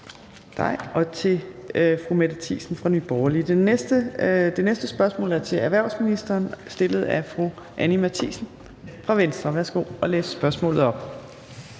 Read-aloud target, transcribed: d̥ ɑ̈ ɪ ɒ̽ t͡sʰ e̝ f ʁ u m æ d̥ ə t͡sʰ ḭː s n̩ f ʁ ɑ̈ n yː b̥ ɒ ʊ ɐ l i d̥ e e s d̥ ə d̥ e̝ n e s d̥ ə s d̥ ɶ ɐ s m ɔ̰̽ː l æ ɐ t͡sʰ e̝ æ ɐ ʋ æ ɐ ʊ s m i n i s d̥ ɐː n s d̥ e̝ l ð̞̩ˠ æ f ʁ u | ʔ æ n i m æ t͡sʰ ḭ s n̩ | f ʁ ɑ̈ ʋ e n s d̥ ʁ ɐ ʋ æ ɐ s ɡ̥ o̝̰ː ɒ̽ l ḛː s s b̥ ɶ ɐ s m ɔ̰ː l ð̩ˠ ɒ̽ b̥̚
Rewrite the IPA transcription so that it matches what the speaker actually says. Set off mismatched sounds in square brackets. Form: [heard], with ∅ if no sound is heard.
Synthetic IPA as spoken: d̥ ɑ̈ ɪ ɒ̽ t͡sʰ e̝ f ʁ u m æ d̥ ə t͡sʰ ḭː s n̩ f ʁ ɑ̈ n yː b̥ ɒ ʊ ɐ l i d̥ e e s d̥ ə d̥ e̝ n e s d̥ ə s [b̥] ɶ ɐ s m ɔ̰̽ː l æ ɐ t͡sʰ e̝ æ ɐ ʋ æ ɐ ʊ s m i n i s d̥ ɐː n s d̥ e̝ l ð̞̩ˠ æ f ʁ u | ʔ æ n i m æ t͡sʰ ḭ s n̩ | f ʁ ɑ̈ ʋ e n s d̥ ʁ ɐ ʋ æ ɐ s ɡ̥ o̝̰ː ɒ̽ l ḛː s s b̥ ɶ ɐ s m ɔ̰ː l ð̩ˠ ɒ̽ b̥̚